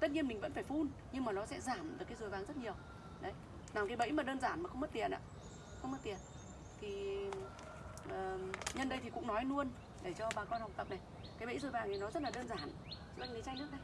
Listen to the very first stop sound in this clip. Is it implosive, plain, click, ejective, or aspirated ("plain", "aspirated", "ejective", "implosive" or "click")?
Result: plain